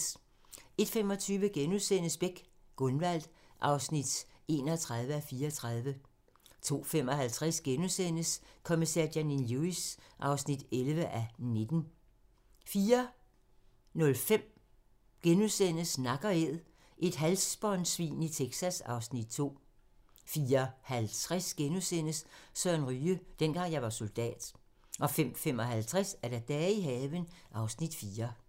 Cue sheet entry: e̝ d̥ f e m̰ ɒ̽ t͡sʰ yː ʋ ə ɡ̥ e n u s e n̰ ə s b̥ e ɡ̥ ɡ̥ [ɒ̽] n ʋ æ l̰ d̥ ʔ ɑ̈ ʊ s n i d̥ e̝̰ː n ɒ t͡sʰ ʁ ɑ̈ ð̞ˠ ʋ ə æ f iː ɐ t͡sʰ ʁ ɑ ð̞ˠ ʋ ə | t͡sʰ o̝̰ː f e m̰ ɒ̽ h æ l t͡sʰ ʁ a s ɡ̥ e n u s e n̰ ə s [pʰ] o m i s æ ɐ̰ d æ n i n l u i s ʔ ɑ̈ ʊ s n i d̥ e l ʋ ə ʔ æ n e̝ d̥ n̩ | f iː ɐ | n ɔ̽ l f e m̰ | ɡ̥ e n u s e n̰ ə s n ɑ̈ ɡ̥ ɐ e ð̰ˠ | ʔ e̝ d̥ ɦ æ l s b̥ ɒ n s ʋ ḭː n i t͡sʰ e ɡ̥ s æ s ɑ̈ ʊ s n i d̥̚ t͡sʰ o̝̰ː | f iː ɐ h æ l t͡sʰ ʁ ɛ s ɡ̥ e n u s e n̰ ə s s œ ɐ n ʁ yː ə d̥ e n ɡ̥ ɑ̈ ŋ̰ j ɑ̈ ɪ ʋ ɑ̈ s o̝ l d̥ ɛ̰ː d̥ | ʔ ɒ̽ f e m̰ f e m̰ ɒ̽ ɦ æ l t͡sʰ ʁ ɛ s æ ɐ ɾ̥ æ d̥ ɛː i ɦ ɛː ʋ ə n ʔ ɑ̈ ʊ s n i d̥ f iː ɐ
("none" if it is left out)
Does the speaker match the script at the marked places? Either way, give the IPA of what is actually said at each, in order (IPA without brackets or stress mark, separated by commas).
ɔ̽, kʰ